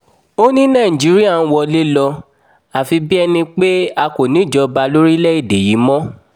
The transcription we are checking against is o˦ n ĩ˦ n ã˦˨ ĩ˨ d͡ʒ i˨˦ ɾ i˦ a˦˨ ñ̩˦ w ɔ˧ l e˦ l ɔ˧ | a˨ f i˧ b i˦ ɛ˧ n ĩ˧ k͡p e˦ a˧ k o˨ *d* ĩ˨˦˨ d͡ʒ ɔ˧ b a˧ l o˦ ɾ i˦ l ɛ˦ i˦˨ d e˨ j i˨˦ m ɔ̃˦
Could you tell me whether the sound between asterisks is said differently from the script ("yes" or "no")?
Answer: yes